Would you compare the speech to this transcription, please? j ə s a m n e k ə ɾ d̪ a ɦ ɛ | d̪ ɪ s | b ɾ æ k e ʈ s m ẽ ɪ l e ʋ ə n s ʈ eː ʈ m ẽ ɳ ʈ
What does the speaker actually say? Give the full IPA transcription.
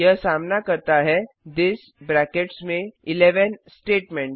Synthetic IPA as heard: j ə s a m n a k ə ɾ t̪ a ɦ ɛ | d̪ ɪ s | b ɾ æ k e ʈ s m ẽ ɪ l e ʋ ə n s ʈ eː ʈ m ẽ ɳ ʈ